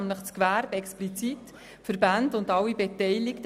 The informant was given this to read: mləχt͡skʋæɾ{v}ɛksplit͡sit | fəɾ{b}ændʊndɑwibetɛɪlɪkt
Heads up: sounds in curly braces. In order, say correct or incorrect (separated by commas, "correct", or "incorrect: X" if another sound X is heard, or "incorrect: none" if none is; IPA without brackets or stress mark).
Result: incorrect: b, correct